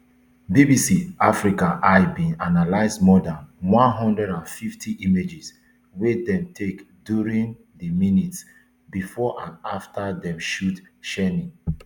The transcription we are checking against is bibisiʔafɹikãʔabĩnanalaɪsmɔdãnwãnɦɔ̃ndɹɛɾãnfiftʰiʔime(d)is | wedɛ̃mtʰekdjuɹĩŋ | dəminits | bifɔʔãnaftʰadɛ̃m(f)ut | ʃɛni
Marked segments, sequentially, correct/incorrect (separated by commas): incorrect, incorrect